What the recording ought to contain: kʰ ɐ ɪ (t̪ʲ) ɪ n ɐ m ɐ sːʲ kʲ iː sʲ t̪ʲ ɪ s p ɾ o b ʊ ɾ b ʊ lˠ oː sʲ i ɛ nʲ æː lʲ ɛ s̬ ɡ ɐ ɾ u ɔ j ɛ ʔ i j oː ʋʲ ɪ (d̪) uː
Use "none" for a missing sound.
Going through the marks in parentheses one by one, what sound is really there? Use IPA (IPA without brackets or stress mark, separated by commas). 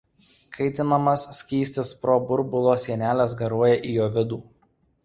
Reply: t̪ʲ, d̪